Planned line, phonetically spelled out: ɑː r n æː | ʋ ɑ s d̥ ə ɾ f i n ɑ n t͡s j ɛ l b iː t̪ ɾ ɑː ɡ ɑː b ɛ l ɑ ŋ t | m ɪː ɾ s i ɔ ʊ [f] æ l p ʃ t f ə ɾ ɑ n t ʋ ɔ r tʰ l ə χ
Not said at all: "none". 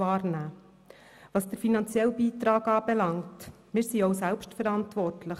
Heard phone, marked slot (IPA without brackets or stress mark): s